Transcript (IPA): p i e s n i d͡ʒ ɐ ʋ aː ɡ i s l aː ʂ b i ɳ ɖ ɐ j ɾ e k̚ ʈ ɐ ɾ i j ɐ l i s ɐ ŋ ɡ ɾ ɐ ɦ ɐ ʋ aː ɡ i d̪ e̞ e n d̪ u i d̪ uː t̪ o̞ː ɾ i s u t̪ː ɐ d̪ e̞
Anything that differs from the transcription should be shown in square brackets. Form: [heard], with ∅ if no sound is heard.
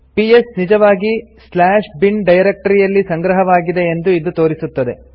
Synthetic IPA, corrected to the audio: p i e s n i d͡ʒ ɐ ʋ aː ɡ i s l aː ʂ b i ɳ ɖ ɐ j ɾ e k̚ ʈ ɐ ɾ i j ɐ [lː] i s ɐ ŋ ɡ ɾ ɐ ɦ ɐ ʋ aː ɡ i d̪ e̞ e n d̪ u i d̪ [u] t̪ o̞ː ɾ i s u t̪ː ɐ d̪ e̞